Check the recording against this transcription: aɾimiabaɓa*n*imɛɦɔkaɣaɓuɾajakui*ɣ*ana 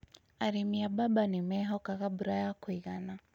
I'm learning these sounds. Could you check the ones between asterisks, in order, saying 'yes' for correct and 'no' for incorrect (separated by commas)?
yes, yes